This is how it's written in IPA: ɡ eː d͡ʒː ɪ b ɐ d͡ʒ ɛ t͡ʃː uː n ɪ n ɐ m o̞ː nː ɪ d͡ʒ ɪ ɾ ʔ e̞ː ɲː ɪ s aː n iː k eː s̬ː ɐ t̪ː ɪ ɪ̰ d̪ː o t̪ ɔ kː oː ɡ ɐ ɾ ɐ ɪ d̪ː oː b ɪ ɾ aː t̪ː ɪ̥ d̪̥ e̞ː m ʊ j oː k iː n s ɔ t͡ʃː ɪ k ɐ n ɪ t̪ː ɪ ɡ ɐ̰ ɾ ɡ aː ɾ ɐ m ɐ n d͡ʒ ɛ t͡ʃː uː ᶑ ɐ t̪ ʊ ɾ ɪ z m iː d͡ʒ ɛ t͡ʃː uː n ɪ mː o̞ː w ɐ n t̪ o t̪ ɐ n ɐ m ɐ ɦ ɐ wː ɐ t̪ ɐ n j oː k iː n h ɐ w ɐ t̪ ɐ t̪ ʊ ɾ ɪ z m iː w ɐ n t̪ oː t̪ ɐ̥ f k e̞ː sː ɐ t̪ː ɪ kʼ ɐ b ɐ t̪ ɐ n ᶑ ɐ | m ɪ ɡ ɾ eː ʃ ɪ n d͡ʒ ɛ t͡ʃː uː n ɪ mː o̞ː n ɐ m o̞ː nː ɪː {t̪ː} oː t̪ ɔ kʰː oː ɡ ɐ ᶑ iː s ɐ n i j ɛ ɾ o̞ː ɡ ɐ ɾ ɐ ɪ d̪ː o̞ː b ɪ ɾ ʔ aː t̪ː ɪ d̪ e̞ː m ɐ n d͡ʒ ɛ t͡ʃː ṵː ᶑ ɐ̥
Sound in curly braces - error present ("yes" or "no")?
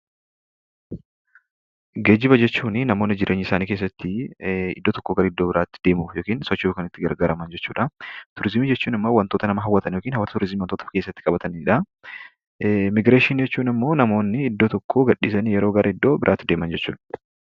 yes